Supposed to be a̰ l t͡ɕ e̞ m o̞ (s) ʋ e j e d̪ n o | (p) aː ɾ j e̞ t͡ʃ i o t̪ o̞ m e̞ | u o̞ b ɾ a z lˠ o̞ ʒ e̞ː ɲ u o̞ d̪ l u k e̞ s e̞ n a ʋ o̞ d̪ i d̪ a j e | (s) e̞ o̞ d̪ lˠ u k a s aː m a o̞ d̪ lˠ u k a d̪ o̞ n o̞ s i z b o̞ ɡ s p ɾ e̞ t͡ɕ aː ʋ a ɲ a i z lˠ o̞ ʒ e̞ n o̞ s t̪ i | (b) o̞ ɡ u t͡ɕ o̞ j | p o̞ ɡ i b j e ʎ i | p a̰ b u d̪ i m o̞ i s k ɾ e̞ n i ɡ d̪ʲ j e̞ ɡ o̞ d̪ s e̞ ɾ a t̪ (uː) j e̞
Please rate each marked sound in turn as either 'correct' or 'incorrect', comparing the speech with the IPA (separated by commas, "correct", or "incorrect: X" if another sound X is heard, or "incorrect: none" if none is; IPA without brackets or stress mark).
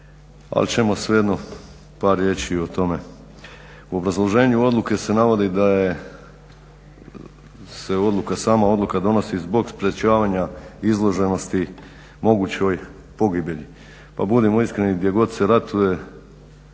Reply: correct, correct, correct, incorrect: m, incorrect: u